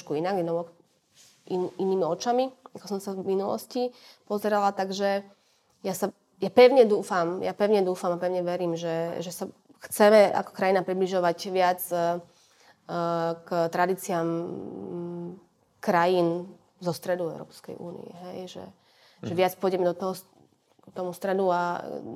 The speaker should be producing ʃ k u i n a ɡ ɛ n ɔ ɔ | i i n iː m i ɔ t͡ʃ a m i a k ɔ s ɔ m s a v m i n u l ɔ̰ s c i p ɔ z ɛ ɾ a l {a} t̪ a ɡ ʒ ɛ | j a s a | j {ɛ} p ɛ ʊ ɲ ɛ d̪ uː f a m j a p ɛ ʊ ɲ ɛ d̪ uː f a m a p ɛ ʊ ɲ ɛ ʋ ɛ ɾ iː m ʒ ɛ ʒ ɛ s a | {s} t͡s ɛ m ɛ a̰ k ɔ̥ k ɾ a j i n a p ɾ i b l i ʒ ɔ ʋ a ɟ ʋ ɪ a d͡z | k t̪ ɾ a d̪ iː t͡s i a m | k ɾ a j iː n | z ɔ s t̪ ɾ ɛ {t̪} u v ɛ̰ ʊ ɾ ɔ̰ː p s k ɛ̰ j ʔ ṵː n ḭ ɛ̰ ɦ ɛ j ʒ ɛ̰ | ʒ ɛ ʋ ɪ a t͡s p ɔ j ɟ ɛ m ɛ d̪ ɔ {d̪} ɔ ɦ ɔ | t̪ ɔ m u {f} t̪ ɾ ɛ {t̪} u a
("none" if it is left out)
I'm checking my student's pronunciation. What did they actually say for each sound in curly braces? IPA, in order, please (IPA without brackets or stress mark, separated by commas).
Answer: a, a, x, d̪, t̪, s, d̪